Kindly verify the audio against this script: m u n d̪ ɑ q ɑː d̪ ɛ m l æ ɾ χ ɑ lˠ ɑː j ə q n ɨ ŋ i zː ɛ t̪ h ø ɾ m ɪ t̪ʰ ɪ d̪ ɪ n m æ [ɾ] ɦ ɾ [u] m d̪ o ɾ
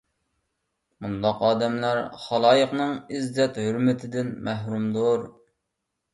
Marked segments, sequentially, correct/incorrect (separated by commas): incorrect, correct